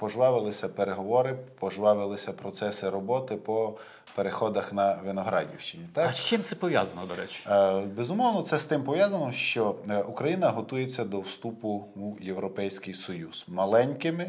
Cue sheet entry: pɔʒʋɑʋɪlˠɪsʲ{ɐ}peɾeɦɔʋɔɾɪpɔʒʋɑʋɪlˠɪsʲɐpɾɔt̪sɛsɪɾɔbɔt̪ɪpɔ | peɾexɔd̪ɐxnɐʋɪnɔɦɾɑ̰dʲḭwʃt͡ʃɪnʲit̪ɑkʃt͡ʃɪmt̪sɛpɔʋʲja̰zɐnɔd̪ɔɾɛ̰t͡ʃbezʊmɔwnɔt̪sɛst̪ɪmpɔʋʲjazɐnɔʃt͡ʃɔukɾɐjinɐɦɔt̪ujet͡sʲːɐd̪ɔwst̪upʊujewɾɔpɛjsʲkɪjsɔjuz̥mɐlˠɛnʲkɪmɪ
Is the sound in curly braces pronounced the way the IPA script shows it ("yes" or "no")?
yes